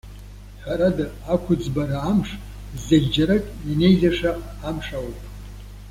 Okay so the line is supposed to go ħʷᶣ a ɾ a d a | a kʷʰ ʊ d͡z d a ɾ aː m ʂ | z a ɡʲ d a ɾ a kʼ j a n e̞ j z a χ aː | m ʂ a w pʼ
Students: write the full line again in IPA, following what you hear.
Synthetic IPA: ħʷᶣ a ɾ a d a | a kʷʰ ʊ d͡z b a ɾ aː m ʂ | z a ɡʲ d͡ʒ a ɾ a kʼ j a n e̞ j z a ʂ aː | m ʂ a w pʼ